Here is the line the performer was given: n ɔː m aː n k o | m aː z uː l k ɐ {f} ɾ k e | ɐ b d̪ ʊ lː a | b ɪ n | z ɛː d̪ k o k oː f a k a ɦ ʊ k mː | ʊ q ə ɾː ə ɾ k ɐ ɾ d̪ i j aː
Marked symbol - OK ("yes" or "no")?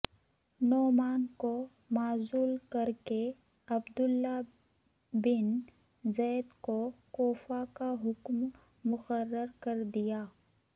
no